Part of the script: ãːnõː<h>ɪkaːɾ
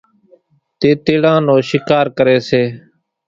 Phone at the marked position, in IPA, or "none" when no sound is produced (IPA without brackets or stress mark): ʃ